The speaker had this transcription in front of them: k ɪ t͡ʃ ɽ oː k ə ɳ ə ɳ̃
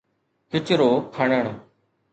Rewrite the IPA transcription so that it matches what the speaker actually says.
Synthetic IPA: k ɪ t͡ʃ ɾ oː kʰ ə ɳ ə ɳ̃

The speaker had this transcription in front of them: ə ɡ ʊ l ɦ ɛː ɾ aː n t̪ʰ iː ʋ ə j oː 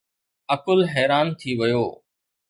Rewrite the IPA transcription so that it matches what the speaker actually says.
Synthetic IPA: ə k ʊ l ɦ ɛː ɾ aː n t̪ʰ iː ʋ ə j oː

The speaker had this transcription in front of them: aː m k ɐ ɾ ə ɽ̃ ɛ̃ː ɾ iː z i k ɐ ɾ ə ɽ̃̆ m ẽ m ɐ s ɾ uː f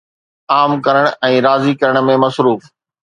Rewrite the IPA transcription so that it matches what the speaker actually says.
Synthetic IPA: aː m k ɐ ɾ ə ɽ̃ ɛ̃ː ɾ aː z i k ɐ ɾ ə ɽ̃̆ m ẽ m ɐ s ɾ uː f

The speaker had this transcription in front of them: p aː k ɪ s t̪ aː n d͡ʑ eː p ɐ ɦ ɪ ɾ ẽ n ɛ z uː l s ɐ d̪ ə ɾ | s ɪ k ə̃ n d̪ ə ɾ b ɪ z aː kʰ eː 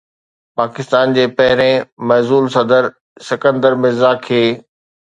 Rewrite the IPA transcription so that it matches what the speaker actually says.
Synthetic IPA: p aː k ɪ s t̪ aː n d͡ʑ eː p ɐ ɦ ɪ ɾ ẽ m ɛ z uː l s ɐ d̪ ə ɾ | s ɪ k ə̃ n d̪ ə ɾ m ɪ z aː kʰ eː

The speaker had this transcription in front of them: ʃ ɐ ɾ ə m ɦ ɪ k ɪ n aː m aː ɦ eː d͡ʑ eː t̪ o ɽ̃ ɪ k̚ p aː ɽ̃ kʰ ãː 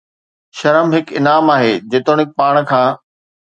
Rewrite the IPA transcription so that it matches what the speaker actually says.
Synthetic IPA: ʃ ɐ ɾ ə m ɦ ɪ k ɪ n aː m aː ɦ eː d͡ʑ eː t̪ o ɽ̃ ɪ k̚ p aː ɽ̃ kʰ ãː

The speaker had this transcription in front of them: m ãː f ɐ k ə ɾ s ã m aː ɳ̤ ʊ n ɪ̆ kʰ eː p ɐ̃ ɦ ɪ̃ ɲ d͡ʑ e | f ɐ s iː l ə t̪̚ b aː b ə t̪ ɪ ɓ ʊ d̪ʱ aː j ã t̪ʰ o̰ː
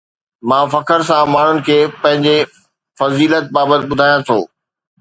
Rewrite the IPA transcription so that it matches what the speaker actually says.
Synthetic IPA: m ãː f ɐ k ə ɾ s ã m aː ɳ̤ ʊ n ɪ̆ kʰ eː p ɐ̃ ɦ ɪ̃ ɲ d͡ʑ e | f ɐ z iː l ə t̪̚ b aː b ə t̪ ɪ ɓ ʊ d̪ʱ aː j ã t̪ʰ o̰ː

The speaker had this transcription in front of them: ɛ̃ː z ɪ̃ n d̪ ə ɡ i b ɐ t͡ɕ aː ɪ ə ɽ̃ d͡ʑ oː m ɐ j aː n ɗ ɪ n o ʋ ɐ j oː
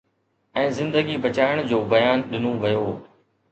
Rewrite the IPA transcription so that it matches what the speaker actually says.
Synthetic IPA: ɛ̃ː z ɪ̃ n d̪ ə ɡ i b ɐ t͡ɕ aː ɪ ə ɽ̃ d͡ʑ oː b ɐ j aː n ɗ ɪ n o ʋ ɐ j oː

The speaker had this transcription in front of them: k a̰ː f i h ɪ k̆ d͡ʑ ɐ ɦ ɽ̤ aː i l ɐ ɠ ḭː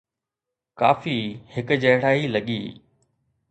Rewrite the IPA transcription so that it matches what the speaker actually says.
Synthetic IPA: k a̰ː f i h ɪ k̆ d͡ʑ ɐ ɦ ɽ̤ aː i l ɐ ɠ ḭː

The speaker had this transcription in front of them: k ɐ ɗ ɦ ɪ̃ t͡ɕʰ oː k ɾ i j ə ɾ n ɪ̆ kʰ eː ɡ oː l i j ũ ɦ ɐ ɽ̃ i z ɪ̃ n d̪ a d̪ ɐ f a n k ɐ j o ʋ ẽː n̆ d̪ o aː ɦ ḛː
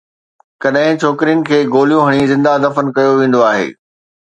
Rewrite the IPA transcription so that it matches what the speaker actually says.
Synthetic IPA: k ɐ ɗ ɦ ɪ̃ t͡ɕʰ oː k ɾ i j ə n ɪ̆ kʰ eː ɡ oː l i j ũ ɦ ɐ ɽ̃ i z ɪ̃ n d̪ a d̪ ɐ f ə n k ɐ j o ʋ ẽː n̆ d̪ o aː ɦ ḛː

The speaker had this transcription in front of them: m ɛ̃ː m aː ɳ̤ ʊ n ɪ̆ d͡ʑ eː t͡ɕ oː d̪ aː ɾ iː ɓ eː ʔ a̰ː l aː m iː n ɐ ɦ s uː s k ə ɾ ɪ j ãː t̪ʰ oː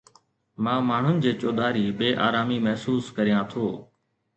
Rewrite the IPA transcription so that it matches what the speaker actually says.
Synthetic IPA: m ãː m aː ɳ̤ ʊ n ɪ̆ d͡ʑ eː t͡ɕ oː d̪ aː ɾ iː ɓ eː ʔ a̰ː ɾ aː m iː m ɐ ɦ s uː s k ə ɾ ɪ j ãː t̪ʰ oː

